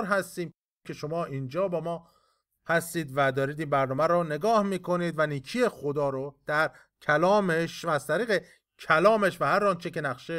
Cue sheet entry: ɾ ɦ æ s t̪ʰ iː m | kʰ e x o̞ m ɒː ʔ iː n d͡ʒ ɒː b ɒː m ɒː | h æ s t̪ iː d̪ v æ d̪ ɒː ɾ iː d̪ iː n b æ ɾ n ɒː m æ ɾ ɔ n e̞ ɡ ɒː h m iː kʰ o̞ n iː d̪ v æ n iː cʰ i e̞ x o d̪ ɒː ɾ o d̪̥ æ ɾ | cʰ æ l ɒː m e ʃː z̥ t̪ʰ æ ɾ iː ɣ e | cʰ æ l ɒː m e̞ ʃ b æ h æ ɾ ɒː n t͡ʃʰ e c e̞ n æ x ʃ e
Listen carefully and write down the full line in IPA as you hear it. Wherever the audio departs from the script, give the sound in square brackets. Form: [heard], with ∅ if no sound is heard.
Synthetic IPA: ɾ ɦ æ s [t̪] iː m | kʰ e [ʃ] o̞ m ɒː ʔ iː n d͡ʒ ɒː b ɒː m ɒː | h æ s t̪ iː d̪ v æ d̪ ɒː ɾ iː d̪ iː n b æ ɾ n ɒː m æ ɾ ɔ n e̞ ɡ ɒː h m iː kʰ o̞ n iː d̪ v æ n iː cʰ i e̞ x o d̪ ɒː ɾ o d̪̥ æ ɾ | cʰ æ l ɒː m e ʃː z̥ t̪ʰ æ ɾ iː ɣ e | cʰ æ l ɒː m e̞ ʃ [v] æ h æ ɾ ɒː n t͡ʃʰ e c e̞ n æ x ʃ e